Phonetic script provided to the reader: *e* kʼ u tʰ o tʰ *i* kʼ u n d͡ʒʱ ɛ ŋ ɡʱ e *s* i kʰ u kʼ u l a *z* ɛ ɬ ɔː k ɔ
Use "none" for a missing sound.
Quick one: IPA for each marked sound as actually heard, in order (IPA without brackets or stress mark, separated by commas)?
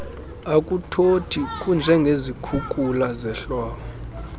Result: a, i, z, z